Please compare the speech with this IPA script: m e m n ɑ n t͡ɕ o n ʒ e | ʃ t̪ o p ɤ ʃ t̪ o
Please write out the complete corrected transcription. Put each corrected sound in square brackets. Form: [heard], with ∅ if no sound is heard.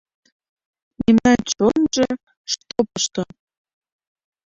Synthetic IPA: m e m n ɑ n t͡ɕ o n ʒ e | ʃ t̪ o p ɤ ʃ t̪ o